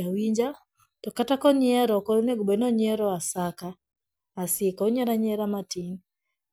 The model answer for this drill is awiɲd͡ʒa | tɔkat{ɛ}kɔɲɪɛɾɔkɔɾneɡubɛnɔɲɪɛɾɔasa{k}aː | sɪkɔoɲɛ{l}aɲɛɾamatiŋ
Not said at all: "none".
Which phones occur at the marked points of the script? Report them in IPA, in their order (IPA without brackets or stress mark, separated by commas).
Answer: a, k, ɾ